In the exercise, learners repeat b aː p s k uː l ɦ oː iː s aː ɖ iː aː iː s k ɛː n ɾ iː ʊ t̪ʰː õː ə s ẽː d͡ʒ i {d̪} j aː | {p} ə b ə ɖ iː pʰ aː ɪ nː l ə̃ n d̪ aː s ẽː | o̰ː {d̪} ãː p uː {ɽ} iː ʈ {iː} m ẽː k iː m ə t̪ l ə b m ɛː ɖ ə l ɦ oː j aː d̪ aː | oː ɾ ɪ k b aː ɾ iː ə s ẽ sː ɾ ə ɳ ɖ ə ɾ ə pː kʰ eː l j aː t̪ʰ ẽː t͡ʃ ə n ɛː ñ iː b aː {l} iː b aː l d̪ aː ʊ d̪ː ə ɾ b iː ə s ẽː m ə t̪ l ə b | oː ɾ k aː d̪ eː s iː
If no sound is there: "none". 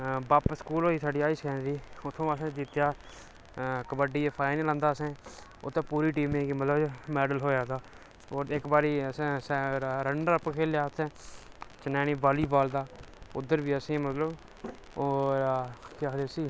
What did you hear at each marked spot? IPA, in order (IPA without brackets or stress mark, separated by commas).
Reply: t̪, k, t̪, ɾ, iː, l